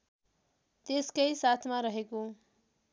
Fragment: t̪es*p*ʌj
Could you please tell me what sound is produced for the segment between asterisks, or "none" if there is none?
k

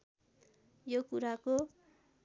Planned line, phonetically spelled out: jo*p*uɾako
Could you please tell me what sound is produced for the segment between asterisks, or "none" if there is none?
k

